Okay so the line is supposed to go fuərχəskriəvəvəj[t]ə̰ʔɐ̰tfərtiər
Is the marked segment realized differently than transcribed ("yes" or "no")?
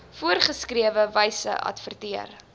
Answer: yes